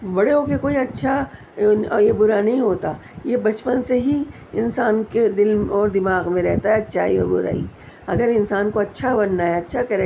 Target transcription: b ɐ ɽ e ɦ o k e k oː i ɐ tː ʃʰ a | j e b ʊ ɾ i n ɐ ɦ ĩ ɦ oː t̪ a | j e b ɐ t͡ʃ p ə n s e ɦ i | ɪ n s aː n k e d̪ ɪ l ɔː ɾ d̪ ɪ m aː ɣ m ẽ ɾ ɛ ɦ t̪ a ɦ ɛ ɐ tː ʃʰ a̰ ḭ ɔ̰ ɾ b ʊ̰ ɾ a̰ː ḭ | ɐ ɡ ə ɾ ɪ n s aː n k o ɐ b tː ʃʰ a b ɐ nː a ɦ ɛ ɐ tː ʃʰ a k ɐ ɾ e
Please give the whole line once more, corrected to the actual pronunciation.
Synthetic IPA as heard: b ɐ ɽ e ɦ o k e k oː i ɐ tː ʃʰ a | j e b ʊ ɾ a n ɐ ɦ ĩ ɦ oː t̪ a | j e b ɐ t͡ʃ p ə n s e ɦ i | ɪ n s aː n k e d̪ ɪ l ɔː ɾ d̪ ɪ m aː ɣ m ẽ ɾ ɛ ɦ t̪ a ɦ ɛ ɐ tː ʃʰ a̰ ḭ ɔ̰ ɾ b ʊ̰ ɾ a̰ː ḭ | ɐ ɡ ə ɾ ɪ n s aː n k o ɐ tː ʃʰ a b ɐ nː a ɦ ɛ ɐ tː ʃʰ a k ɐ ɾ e